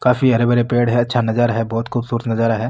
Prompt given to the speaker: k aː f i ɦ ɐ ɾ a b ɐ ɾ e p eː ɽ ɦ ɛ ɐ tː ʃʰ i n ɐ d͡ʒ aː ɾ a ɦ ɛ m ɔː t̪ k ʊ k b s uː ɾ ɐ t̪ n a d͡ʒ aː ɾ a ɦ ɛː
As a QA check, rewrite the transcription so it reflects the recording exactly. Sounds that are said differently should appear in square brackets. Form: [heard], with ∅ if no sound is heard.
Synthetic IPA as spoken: k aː f i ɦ ɐ ɾ [e] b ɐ ɾ e p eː ɽ ɦ ɛ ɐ tː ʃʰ [a] n ɐ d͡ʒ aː ɾ a ɦ ɛ [b] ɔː t̪ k ʊ [∅] b s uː ɾ [ə] t̪ n [ɐ] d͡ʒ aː ɾ a ɦ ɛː